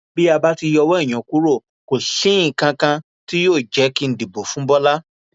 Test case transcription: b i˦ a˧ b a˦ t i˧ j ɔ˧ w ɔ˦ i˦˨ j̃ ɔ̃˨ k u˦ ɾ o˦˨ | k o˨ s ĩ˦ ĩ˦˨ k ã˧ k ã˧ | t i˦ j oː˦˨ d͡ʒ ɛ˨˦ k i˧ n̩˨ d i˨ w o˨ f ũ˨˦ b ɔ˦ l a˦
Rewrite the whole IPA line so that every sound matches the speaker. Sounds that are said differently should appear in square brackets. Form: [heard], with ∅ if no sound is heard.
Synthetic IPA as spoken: b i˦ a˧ b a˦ t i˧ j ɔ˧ w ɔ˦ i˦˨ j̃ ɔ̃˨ k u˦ ɾ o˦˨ | k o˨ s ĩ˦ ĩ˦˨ k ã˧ k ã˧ | t i˦ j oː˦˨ d͡ʒ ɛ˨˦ k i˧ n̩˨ d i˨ [b] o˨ f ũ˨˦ b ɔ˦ l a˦